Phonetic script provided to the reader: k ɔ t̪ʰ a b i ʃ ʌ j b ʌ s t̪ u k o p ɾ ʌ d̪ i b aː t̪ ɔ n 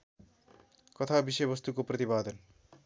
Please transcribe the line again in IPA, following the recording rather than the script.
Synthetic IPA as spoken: k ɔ t̪ʰ a b i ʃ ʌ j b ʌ s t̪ u k o p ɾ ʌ t̪ i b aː d̪ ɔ n